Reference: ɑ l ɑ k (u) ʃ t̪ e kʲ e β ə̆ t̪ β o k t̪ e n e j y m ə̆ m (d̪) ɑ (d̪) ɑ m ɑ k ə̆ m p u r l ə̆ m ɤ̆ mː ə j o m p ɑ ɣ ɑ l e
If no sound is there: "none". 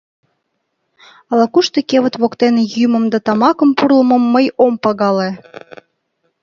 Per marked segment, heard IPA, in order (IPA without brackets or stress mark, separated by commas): u, d̪, t̪